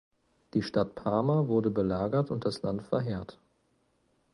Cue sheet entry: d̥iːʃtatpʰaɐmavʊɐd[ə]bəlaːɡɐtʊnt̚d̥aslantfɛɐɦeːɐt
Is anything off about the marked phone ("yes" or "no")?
no